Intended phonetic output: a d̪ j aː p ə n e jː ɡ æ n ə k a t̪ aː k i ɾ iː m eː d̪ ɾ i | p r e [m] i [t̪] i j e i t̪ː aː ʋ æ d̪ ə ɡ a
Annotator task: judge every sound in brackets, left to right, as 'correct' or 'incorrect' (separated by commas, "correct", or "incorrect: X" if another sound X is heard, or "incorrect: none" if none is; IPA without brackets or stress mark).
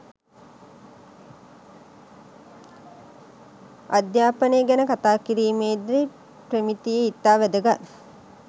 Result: correct, correct